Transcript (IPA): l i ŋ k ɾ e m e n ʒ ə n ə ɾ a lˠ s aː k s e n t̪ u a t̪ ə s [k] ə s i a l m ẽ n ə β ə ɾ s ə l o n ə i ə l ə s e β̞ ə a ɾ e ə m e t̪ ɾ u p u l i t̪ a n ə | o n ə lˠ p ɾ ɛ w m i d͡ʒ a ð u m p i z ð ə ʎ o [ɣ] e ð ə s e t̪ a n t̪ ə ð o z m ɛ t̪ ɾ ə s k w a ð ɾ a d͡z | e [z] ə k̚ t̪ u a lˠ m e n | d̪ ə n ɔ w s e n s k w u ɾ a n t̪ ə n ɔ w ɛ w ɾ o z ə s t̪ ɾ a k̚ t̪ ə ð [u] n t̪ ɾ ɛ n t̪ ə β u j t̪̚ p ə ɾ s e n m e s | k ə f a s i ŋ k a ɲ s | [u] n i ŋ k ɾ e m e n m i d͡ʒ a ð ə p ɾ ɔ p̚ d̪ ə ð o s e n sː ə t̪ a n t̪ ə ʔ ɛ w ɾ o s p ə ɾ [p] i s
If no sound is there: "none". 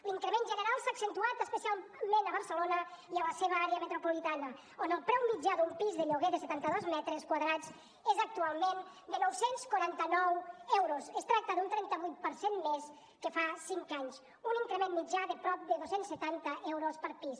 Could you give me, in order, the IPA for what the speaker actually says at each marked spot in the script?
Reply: p, ɣ, z, u, u, p

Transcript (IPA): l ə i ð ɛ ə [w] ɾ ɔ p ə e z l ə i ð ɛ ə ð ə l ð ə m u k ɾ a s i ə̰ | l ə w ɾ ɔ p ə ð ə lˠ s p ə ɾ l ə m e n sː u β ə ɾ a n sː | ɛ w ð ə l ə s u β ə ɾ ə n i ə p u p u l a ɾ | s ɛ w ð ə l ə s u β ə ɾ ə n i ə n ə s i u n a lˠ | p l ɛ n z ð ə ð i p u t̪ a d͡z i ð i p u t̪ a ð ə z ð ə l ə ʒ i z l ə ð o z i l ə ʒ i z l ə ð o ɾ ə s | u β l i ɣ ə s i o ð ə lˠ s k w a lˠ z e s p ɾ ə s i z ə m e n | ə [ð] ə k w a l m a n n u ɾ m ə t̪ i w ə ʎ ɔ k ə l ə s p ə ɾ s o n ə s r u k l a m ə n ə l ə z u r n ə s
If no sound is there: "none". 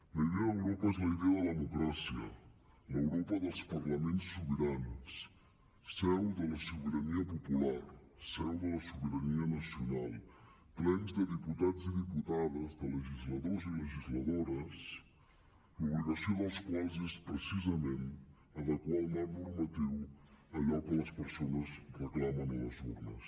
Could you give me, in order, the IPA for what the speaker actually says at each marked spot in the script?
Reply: w, ð

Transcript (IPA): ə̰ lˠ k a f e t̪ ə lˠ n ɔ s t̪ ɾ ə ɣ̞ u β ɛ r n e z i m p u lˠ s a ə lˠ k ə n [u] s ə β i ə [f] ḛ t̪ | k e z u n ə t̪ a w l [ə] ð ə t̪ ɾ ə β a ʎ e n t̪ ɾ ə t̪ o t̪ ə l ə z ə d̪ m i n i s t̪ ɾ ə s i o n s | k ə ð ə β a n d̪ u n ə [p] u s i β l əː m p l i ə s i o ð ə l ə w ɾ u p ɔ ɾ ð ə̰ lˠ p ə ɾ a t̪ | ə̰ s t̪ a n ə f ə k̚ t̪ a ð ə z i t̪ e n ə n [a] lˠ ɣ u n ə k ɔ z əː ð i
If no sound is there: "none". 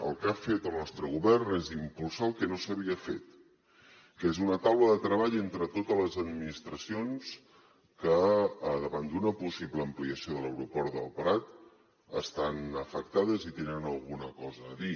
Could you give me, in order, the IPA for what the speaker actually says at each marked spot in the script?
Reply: o, f, ə, p, ə

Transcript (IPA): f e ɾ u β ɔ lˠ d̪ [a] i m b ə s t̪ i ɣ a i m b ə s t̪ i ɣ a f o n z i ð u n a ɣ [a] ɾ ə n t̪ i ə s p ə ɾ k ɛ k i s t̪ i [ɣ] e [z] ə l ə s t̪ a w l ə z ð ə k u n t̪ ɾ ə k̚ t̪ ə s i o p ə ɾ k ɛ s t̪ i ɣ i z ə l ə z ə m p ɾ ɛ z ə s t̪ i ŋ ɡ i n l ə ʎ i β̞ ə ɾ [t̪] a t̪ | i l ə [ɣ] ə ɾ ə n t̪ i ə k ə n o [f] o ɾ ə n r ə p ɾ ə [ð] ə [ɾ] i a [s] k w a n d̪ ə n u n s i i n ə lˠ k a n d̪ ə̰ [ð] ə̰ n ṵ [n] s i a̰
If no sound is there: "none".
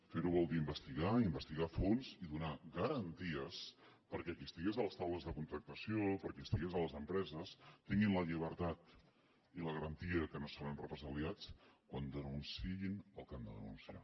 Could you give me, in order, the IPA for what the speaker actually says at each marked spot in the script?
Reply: i, ə, ɣ, z, t̪, ɣ, s, z, l, t͡s, ð, n

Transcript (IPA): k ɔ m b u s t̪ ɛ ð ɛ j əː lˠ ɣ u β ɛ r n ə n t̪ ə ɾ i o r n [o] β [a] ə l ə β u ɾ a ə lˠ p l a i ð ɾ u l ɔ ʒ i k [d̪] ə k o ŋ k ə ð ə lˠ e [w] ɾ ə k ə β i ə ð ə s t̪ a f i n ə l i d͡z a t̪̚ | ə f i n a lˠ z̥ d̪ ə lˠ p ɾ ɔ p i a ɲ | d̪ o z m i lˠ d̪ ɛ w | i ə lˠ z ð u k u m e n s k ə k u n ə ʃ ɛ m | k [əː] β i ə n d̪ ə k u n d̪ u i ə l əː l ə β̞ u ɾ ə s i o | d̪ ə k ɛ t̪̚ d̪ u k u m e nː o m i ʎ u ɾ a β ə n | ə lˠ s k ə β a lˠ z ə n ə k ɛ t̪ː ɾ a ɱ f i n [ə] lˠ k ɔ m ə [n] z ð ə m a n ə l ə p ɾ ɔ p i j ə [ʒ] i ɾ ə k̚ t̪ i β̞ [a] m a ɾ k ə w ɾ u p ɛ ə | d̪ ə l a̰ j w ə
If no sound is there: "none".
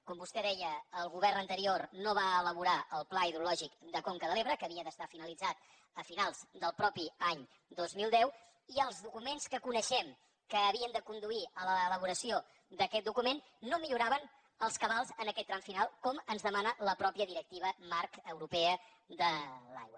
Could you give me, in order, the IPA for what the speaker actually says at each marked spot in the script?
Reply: o, a, d̪, β, əː, a, n, ð, ə

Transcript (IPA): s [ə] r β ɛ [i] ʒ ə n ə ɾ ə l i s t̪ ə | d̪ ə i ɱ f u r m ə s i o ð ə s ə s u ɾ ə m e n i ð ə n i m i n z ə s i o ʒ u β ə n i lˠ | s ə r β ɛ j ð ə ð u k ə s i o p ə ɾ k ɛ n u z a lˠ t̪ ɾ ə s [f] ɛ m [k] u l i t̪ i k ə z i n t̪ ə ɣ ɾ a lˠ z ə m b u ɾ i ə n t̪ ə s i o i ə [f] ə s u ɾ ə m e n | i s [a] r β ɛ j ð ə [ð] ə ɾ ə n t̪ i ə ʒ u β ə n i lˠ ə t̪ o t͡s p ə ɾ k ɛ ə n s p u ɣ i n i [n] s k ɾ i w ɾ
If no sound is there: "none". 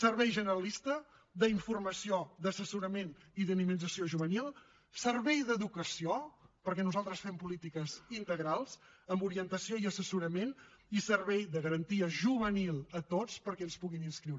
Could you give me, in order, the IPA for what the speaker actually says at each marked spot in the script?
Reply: ə, j, f, p, s, ə, ɣ, n

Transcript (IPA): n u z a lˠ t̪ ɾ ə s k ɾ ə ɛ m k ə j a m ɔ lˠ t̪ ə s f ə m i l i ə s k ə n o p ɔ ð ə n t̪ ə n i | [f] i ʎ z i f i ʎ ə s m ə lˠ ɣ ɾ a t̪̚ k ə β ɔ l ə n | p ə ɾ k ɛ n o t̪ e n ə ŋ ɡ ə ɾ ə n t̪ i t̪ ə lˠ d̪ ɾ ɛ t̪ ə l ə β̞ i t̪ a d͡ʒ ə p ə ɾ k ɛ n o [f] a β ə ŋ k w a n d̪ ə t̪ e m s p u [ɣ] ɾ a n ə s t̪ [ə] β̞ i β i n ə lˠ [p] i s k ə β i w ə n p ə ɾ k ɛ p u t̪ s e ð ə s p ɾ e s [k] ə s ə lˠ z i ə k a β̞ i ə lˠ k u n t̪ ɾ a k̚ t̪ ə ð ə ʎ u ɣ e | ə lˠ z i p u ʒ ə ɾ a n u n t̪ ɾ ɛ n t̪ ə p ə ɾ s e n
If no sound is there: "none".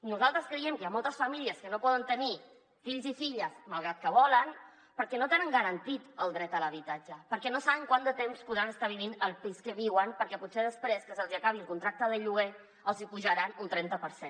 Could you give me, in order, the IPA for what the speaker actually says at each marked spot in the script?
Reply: f, s, ð, a, p, k

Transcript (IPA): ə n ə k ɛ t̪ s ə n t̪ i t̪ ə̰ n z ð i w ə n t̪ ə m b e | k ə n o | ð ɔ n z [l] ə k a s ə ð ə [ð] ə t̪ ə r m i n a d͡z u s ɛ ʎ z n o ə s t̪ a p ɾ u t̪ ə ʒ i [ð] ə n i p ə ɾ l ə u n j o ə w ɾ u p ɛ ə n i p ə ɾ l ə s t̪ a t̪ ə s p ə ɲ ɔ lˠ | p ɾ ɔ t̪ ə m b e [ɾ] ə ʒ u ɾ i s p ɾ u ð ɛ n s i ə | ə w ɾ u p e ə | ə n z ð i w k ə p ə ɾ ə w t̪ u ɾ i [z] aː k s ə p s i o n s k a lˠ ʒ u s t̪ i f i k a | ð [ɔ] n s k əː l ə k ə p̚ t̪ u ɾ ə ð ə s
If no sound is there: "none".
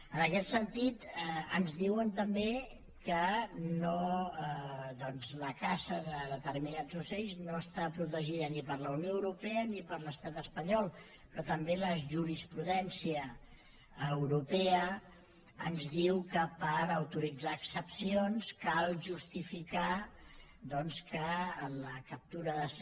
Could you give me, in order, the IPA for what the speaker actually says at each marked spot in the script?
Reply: l, ð, ð, l, d͡z, ɔ

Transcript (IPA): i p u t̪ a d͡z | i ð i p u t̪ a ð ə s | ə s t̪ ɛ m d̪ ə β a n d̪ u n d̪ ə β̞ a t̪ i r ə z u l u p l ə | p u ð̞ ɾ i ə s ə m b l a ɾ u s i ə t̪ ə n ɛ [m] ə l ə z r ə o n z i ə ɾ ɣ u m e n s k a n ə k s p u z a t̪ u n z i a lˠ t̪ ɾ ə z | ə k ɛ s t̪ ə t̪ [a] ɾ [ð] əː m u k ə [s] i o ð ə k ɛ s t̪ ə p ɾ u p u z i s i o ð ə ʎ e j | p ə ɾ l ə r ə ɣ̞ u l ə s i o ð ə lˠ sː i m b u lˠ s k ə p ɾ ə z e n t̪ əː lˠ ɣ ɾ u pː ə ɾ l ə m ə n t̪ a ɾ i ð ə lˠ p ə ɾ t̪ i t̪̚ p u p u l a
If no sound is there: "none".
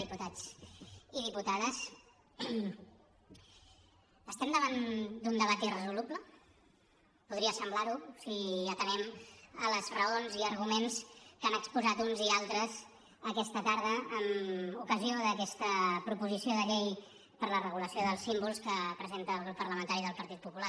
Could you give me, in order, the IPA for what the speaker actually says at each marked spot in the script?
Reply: m, a, ð, z

